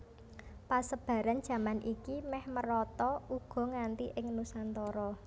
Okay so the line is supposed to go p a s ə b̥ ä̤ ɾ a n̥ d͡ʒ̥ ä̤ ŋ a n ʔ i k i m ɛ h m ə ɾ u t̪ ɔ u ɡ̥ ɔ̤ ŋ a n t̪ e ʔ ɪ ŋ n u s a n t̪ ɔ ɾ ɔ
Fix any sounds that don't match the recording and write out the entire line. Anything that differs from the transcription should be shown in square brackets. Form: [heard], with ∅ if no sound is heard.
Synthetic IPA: p a s ə b̥ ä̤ ɾ a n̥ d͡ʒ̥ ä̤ [m] a n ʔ i k i m ɛ h m ə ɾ [ɔ] t̪ ɔ u ɡ̥ ɔ̤ ŋ a n t̪ [i] ʔ ɪ ŋ n u s a n t̪ ɔ ɾ ɔ